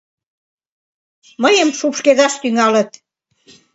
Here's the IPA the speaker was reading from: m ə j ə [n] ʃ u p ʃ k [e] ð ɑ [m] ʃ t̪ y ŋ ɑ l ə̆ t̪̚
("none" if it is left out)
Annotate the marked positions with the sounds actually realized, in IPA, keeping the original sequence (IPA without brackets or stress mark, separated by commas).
m, e, none